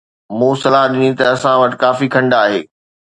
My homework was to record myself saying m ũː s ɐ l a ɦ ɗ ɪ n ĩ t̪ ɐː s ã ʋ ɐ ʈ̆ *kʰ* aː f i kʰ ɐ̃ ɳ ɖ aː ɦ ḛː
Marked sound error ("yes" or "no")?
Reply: yes